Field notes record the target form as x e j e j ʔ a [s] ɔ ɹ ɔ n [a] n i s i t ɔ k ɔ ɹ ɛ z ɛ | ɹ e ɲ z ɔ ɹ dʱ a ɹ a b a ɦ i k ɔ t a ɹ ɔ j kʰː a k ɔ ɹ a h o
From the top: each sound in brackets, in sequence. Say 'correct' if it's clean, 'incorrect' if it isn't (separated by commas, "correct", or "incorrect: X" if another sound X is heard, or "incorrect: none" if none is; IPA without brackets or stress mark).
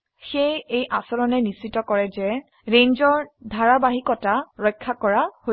correct, incorrect: ɛ